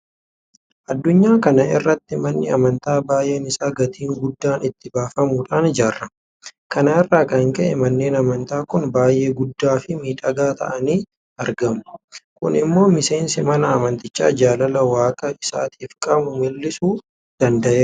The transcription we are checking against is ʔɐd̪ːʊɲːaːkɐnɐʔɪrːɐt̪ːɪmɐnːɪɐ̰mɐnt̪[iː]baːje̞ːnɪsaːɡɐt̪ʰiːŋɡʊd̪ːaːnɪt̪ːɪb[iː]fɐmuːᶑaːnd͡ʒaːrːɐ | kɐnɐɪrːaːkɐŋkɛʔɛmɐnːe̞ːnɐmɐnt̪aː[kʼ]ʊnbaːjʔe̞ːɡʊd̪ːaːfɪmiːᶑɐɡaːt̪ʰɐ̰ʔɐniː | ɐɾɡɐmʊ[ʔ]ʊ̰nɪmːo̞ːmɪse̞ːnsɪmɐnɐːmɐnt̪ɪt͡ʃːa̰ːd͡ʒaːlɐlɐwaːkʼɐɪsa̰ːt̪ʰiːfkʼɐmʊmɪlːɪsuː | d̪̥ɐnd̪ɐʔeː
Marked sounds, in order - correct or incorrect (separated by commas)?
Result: incorrect, incorrect, incorrect, incorrect